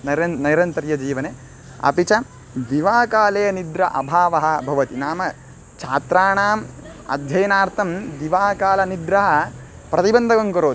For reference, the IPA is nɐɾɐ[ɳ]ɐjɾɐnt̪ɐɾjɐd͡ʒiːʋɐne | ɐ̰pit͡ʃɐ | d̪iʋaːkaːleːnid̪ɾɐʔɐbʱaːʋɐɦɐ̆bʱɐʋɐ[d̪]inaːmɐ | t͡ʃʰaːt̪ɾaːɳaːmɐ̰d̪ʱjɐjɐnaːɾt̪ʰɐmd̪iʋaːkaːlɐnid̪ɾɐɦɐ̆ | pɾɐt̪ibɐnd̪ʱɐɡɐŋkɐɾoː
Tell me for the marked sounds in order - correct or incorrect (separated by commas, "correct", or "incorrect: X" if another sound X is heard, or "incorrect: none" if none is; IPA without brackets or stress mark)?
incorrect: n, incorrect: t̪